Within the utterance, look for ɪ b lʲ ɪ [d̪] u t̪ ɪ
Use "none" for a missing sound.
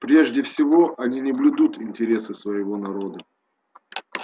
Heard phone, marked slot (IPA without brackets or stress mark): d̪